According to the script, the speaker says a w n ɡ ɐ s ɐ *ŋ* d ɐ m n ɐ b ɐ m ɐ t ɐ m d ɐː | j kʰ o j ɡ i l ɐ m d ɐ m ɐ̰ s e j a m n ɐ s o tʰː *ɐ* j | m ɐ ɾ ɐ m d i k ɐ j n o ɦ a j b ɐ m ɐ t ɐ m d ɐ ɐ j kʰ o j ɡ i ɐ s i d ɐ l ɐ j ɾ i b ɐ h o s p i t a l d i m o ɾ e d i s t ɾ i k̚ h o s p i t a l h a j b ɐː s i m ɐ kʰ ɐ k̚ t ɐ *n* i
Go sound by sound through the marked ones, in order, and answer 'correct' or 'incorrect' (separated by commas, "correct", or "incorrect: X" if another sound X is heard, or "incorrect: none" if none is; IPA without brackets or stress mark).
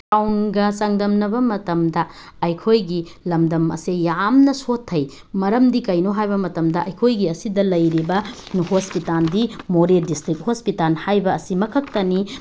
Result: correct, correct, correct